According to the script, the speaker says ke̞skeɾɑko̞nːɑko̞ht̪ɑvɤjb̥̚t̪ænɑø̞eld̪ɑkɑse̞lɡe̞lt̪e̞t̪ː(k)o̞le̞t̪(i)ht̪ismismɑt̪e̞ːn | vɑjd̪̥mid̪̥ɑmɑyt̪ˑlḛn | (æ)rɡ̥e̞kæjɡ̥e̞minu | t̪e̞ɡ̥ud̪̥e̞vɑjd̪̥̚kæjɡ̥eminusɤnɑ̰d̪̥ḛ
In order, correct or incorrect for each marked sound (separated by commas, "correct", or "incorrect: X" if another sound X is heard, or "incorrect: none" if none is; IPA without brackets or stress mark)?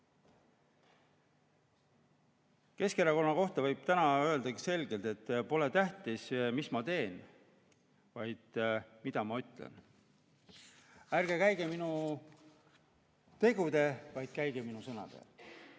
incorrect: p, incorrect: æ, correct